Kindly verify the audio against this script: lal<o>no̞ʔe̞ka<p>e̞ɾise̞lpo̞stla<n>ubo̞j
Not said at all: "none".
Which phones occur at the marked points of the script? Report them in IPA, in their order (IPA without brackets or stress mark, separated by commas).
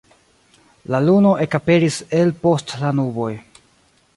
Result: u, p, n